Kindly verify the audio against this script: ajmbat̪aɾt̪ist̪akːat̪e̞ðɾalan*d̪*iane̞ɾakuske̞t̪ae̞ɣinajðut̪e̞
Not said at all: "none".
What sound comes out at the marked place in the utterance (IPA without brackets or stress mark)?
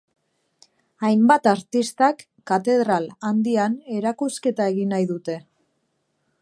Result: d̪